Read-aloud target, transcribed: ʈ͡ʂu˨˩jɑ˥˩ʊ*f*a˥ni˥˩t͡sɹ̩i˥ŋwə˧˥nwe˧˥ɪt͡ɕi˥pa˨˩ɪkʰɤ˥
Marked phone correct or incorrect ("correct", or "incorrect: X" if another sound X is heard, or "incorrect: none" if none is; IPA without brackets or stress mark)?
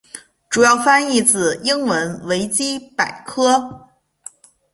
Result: correct